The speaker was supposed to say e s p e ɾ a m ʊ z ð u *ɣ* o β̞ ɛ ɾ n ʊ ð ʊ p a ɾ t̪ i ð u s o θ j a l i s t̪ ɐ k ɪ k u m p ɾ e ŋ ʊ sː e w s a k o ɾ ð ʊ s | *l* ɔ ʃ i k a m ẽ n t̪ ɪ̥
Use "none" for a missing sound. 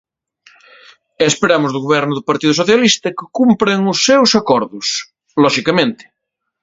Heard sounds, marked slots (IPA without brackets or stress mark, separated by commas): ɣ, l